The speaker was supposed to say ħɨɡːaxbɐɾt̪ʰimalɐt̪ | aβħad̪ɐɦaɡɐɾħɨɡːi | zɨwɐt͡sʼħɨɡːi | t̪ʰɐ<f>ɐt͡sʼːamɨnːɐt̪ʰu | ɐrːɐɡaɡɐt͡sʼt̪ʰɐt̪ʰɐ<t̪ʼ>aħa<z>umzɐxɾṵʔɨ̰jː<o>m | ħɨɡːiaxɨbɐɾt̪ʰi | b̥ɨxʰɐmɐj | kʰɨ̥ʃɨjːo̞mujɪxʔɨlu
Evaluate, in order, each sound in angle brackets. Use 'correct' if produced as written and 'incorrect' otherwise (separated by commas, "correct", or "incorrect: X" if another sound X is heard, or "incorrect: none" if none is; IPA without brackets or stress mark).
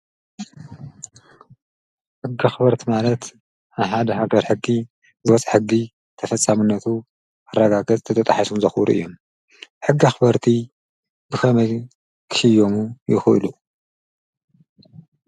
correct, correct, incorrect: s, correct